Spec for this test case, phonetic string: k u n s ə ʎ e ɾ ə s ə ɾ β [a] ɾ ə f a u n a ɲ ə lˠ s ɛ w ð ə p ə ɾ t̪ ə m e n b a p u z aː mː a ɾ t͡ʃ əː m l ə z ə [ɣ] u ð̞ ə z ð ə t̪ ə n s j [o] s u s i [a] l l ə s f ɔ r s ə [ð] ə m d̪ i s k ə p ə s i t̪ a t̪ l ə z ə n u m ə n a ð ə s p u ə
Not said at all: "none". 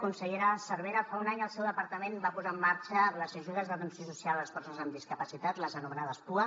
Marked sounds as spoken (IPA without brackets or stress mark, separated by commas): e, ʒ, o, a, z